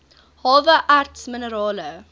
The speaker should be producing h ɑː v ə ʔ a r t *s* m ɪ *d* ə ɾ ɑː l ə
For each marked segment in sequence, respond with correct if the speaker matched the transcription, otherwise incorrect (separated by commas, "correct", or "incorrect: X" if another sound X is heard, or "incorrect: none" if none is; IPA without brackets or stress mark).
correct, incorrect: n